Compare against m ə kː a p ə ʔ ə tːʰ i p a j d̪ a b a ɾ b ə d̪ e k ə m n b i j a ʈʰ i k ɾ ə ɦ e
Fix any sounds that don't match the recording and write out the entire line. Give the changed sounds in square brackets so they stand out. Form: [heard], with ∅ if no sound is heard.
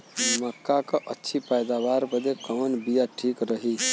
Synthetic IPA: m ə kː a [k] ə ʔ ə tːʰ i p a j d̪ a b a ɾ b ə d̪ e k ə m n b i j a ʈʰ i k ɾ ə ɦ [i]